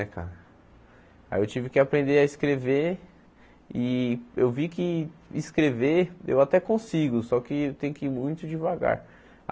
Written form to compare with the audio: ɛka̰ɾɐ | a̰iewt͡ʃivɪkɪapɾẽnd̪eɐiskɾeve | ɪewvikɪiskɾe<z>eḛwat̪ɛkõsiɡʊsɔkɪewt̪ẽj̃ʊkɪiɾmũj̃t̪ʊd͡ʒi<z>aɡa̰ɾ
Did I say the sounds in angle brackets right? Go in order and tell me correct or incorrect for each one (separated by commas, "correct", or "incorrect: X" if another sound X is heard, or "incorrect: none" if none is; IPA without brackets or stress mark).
incorrect: v, incorrect: v